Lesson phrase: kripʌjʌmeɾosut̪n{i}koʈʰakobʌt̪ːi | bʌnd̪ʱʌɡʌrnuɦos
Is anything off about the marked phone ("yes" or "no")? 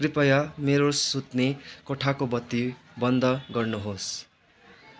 yes